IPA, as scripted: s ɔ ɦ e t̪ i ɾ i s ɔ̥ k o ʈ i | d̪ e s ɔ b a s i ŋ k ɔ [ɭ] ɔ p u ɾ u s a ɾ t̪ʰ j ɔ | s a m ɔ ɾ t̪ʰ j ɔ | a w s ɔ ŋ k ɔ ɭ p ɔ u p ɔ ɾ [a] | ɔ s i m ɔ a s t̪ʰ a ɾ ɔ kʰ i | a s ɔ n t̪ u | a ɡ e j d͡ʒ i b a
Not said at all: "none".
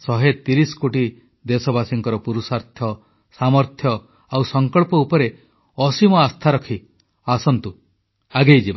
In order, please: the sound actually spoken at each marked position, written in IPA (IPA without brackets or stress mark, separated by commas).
ɾ, e